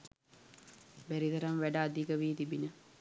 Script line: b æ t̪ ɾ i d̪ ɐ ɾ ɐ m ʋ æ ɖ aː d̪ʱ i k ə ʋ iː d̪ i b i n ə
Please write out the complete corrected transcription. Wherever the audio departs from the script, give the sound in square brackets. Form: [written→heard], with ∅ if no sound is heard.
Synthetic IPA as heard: b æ [t̪→∅] ɾ i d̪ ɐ ɾ ɐ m ʋ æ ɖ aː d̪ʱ i k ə ʋ iː [d̪→t̪] i b i n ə